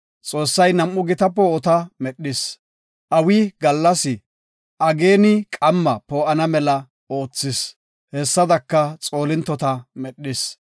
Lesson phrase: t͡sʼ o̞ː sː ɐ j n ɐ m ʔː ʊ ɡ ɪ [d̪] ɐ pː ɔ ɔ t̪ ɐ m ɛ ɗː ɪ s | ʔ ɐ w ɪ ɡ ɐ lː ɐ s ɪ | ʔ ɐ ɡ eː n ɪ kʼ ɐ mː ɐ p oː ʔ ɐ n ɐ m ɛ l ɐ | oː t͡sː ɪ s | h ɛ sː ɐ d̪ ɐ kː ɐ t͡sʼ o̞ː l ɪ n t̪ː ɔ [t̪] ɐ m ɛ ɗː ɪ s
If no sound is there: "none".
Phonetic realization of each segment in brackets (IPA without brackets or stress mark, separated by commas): t̪, t̪